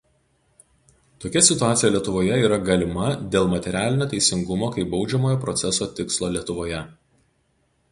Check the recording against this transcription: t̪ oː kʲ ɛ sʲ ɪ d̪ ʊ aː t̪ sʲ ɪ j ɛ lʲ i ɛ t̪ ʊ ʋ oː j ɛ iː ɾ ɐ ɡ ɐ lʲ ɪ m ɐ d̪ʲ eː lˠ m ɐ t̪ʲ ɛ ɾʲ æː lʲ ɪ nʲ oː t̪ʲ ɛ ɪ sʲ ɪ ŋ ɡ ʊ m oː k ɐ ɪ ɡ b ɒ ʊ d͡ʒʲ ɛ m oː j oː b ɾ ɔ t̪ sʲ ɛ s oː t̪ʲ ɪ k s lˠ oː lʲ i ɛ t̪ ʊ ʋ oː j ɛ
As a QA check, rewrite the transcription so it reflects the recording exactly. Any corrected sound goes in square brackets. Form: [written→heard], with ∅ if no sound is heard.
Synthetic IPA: t̪ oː kʲ ɛ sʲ ɪ [d̪→t̪] ʊ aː t̪ sʲ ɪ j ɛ lʲ i ɛ t̪ ʊ ʋ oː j ɛ iː ɾ ɐ ɡ ɐ lʲ ɪ m ɐ d̪ʲ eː lˠ m ɐ t̪ʲ ɛ ɾʲ æː lʲ ɪ nʲ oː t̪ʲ ɛ ɪ sʲ ɪ ŋ ɡ ʊ m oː k ɐ ɪ [ɡ→∅] b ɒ ʊ d͡ʒʲ ɛ m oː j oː [b→p] ɾ ɔ t̪ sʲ ɛ s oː t̪ʲ ɪ k s lˠ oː lʲ i ɛ t̪ ʊ ʋ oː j ɛ

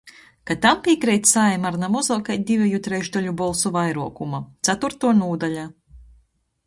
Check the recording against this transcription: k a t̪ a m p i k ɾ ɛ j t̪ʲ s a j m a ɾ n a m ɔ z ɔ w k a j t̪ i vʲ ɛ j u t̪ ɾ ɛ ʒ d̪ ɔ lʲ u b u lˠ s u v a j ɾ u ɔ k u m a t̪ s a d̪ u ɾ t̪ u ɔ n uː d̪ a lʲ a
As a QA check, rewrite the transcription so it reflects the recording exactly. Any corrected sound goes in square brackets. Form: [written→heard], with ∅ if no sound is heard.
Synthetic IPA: k a t̪ a m p i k ɾ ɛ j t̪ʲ s a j m a ɾ n a m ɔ z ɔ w k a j [t̪→d̪] i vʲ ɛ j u t̪ ɾ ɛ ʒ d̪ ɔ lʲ u b [u→ɔ] lˠ s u v a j ɾ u ɔ k u m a t̪ s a [d̪→t̪] u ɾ t̪ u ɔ n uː d̪ a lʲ a

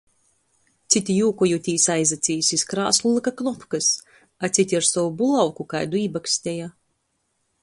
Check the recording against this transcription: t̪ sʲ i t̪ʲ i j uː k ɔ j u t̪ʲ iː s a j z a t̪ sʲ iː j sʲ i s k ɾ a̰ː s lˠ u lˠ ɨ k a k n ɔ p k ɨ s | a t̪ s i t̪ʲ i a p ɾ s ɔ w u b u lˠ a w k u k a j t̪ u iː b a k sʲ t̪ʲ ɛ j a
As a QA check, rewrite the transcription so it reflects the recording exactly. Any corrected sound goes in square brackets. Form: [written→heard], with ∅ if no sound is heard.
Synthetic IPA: t̪ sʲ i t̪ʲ i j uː k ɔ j u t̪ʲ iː s a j z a t̪ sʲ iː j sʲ i s k ɾ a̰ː s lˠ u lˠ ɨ k a k n ɔ p k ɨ s | a t̪ s i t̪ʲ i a [p→∅] ɾ s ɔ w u b u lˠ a w k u k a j [t̪→d̪] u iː b a k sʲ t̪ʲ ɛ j a

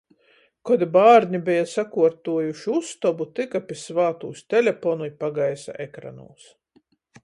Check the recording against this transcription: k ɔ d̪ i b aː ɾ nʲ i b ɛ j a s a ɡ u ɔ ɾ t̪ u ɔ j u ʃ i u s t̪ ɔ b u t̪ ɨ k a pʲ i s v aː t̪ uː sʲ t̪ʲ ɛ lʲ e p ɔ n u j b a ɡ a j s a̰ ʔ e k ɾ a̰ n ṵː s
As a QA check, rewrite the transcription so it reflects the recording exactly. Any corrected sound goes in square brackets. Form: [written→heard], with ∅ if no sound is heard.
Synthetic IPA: k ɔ d̪ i b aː ɾ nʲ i b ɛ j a s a [ɡ→k] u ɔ ɾ t̪ u ɔ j u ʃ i u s t̪ ɔ b u t̪ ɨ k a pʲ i s v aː t̪ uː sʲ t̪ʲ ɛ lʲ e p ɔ n u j [b→p] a ɡ a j s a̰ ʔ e k ɾ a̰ n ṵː s

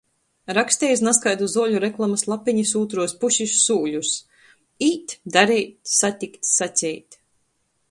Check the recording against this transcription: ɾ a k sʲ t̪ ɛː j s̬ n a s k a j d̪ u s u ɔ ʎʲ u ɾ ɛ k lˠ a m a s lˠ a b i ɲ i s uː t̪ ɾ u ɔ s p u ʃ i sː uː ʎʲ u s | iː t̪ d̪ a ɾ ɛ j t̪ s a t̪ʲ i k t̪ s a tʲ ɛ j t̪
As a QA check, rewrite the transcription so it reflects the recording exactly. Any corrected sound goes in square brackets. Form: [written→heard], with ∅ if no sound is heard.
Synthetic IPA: ɾ a k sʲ t̪ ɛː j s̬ n a s k a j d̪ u [s→z] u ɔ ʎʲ u ɾ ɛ k lˠ a m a s lˠ a [b→p] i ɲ i s uː t̪ ɾ u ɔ s p u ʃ i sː uː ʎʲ u s | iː t̪ d̪ a ɾ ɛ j t̪ s a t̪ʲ i k t̪ s a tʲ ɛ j t̪

